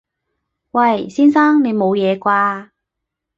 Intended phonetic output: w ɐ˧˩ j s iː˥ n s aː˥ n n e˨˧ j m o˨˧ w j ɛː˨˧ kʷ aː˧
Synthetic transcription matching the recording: w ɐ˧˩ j s iː˥ n s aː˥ ŋ n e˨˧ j m o˨˧ w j ɛː˨˧ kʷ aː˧